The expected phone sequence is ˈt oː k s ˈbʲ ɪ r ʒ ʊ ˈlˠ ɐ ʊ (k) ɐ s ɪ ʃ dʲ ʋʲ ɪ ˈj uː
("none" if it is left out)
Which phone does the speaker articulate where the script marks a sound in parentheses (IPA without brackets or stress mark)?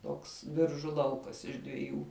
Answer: k